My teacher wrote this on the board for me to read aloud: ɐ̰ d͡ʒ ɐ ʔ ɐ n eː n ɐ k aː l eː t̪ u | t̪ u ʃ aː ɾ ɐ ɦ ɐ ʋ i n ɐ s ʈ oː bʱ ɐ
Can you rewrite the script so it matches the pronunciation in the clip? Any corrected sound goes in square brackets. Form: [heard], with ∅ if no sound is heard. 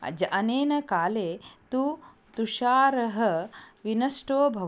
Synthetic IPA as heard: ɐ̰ d͡ʒ ɐ ʔ ɐ n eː n ɐ k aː l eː t̪ u | t̪ u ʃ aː ɾ ɐ ɦ ɐ ʋ i n ɐ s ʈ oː bʱ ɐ